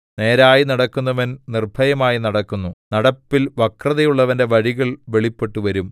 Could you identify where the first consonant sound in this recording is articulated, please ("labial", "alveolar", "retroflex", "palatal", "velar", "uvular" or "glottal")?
alveolar